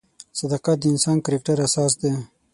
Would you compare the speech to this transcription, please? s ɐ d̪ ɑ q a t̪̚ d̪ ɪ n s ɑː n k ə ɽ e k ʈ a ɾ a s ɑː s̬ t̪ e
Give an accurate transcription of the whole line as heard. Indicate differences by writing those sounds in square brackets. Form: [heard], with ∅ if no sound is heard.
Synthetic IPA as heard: s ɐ d̪ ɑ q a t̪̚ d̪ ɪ n s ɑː n k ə [ɾ] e k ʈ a ɾ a s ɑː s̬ [d̪] e